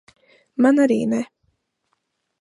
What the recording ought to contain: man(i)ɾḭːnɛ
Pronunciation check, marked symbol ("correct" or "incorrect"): incorrect